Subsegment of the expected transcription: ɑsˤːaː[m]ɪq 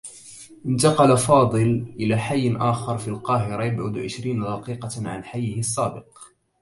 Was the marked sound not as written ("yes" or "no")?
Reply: yes